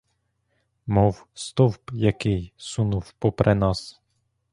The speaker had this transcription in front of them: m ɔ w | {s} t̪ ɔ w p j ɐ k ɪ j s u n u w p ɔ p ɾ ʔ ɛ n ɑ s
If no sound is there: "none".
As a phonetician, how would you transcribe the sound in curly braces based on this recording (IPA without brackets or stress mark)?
s